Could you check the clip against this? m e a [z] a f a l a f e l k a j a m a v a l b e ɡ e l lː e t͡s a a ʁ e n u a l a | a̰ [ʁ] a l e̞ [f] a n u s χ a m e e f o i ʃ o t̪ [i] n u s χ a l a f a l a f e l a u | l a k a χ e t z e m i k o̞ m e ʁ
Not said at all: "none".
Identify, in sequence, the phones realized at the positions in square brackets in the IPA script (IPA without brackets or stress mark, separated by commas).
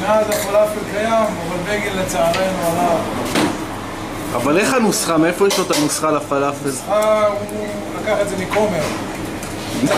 z, v, χ, a